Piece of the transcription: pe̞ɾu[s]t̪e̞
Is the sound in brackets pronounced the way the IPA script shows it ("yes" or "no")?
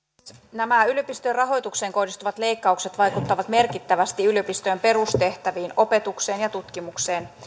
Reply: yes